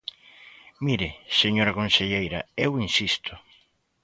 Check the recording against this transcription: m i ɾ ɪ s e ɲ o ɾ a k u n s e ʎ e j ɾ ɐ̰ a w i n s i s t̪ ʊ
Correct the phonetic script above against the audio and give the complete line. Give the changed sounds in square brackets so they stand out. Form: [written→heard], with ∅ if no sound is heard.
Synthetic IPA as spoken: m i ɾ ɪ s e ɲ o ɾ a k [u→o] n s e ʎ e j ɾ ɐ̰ [a→e] w i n s i s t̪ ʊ